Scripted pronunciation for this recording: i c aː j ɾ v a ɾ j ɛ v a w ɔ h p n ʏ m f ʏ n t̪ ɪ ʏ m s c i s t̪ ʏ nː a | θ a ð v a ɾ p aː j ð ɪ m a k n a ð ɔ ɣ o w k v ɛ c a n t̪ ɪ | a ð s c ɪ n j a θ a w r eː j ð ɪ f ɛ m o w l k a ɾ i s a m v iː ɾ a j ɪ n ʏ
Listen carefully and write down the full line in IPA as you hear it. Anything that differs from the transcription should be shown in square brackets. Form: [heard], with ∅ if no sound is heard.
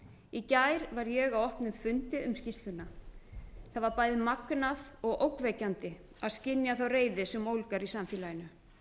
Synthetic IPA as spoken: i c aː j ɾ v a ɾ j ɛ [ɣ] a w ɔ h p n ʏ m f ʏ n t̪ ɪ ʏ m s c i s t̪ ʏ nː a | θ a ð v a ɾ p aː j ð ɪ m a k n a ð ɔ ɣ o w k v ɛ c a n t̪ ɪ | a ð s c ɪ n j a θ a w r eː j ð ɪ [s] ɛ m o w l k a ɾ i s a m [f] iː [l] a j ɪ n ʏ